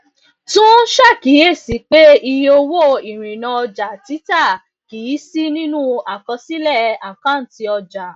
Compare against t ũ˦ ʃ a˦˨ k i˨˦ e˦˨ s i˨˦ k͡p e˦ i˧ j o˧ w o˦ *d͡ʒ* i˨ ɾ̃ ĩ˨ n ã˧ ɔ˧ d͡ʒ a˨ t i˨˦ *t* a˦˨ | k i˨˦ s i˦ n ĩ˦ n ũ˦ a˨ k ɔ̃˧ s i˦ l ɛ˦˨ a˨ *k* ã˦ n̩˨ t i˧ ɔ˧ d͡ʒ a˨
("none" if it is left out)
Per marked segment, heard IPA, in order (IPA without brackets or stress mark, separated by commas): none, t, k